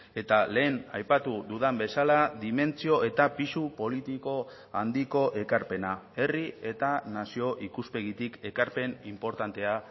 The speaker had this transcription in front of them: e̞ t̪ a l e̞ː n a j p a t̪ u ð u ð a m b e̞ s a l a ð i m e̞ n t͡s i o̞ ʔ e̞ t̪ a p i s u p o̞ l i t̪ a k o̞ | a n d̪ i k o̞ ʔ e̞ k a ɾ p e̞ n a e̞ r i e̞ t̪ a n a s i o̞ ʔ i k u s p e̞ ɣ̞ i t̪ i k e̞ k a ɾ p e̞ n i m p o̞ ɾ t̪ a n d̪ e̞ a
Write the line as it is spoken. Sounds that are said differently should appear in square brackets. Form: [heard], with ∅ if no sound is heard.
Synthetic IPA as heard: e̞ t̪ a l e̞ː n a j p a t̪ u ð u ð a m b e̞ s a l a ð i m e̞ n t͡s i o̞ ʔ e̞ t̪ a p i s u p o̞ l i t̪ [i] k o̞ | a n d̪ i k o̞ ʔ e̞ k a ɾ p e̞ n a e̞ r i e̞ t̪ a n a s i o̞ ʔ i k u s p e̞ ɣ̞ i t̪ i k e̞ k a ɾ p e̞ n i m p o̞ ɾ t̪ a n [t̪] e̞ a